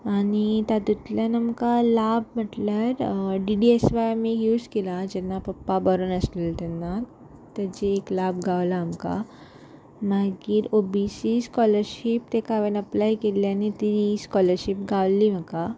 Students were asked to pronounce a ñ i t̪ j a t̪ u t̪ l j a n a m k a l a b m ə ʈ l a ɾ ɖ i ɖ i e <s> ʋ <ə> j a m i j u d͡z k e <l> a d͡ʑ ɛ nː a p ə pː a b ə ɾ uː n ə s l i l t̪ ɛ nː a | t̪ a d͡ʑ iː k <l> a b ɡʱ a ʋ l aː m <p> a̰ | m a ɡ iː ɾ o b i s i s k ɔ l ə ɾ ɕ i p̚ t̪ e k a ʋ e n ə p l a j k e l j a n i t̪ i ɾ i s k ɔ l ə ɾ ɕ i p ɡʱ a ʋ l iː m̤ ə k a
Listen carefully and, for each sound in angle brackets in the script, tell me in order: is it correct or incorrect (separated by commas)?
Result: correct, incorrect, correct, correct, incorrect